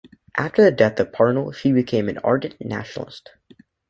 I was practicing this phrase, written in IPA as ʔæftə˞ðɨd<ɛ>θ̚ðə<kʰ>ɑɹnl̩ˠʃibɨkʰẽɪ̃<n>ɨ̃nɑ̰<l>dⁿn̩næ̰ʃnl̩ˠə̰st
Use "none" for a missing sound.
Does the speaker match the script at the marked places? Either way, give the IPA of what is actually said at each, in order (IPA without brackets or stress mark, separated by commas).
ɛ, pʰ, m, ɹ